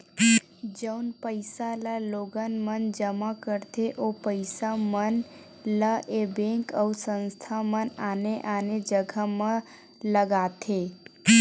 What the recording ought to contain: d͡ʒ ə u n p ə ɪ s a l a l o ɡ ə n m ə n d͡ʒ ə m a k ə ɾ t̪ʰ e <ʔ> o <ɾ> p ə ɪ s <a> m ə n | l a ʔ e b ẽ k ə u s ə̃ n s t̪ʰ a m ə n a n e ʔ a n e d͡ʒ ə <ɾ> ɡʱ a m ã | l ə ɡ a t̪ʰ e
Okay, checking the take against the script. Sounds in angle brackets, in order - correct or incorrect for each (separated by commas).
correct, incorrect, correct, incorrect